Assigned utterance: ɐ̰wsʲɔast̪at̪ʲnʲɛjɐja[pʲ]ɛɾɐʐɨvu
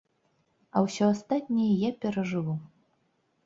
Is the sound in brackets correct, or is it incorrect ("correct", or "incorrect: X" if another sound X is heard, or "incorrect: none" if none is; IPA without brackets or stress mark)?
correct